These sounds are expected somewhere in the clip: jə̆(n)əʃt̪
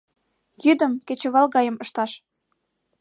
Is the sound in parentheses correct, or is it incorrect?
incorrect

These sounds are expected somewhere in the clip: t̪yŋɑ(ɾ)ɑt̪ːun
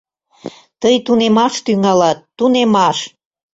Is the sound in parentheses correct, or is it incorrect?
incorrect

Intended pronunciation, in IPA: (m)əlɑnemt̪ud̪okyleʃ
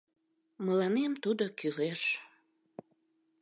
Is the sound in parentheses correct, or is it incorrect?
correct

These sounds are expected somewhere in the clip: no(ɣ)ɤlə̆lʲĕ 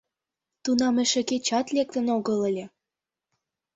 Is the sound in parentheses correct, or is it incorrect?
correct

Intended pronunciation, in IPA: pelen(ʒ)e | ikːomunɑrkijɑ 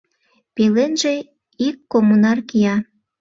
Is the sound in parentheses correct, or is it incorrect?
correct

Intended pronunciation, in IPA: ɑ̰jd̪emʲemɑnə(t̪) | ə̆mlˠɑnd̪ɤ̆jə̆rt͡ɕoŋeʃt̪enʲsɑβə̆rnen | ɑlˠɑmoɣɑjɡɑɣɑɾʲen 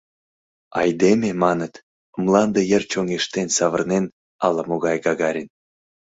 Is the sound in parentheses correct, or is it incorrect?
correct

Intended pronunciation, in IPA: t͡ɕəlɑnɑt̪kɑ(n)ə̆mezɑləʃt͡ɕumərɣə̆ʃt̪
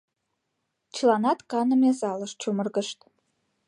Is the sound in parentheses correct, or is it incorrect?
correct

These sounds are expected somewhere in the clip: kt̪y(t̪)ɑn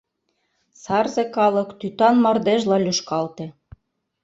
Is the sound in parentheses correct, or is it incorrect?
correct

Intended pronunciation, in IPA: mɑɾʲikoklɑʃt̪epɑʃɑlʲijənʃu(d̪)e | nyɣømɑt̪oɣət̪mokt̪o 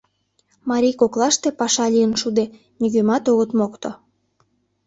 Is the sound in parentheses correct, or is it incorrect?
correct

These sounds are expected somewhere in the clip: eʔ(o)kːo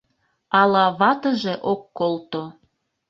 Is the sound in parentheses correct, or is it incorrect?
correct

